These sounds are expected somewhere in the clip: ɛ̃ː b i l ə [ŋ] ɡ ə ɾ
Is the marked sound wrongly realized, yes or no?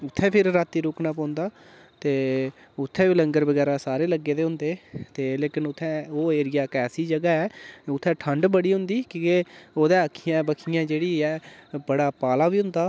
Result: no